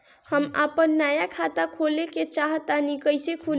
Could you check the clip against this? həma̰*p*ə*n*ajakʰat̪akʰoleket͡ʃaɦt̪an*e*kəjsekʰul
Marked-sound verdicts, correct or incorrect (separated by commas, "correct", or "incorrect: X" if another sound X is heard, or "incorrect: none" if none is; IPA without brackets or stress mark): correct, incorrect: nː, incorrect: i